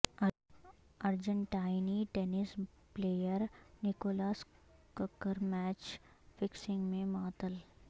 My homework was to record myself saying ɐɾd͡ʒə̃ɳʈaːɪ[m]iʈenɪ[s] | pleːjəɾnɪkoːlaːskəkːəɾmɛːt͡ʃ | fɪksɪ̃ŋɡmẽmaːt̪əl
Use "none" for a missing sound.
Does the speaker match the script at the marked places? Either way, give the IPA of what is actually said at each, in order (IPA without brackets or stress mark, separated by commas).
n, s